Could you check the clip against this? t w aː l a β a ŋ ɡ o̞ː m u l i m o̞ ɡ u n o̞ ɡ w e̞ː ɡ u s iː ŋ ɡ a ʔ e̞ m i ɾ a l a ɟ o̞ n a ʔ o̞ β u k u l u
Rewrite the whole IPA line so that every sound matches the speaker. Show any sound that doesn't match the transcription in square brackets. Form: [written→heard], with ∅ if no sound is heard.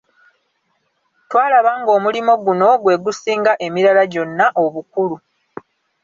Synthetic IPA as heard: t w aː l a β a ŋ ɡ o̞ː m u l i m o̞ ɡ u n o̞ ɡ w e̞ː ɡ u s iː ŋ ɡ a ʔ e̞ m i ɾ a l a ɟ o̞ [n→nː] a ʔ o̞ β u k u l u